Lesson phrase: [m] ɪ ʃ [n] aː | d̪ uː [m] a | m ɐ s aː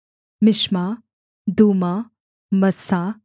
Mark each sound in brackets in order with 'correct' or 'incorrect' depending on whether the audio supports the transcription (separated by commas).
correct, incorrect, correct